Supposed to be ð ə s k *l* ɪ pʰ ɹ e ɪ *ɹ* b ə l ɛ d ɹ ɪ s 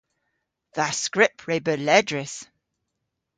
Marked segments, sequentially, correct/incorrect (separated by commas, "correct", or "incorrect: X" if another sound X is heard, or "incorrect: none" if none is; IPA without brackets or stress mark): incorrect: ɹ, incorrect: none